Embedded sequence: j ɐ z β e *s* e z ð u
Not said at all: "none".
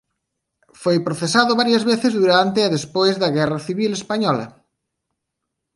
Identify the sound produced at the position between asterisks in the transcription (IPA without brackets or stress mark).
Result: θ